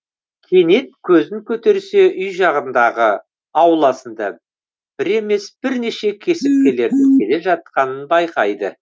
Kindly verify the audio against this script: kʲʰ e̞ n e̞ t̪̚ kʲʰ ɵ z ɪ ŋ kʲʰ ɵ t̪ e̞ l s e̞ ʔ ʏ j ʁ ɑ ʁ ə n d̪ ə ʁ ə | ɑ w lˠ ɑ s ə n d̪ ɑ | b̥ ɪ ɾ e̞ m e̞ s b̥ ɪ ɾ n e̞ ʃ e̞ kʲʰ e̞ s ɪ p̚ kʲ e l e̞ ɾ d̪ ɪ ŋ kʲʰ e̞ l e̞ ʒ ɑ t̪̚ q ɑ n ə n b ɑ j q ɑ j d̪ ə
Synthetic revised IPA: kʲʰ e̞ n e̞ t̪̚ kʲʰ ɵ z ɪ ŋ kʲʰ ɵ t̪ e̞ ɾ s e̞ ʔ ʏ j ʒ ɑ ʁ ə n d̪ ɑ ʁ ə | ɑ w lˠ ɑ s ə n d̪ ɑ | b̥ ɪ ɾ e̞ m e̞ s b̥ ɪ ɾ n e̞ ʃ e̞ kʲʰ e̞ s ɪ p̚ kʲ e l e̞ ɾ d̪ ɪ ŋ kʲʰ e̞ l e̞ ʒ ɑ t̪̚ q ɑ n ə n b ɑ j q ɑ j d̪ ə